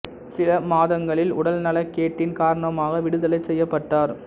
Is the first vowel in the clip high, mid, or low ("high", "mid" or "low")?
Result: high